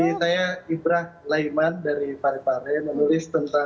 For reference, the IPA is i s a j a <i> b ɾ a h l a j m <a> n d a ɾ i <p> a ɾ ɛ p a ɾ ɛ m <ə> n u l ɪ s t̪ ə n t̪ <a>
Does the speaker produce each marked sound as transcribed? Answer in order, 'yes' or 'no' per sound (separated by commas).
yes, yes, yes, yes, yes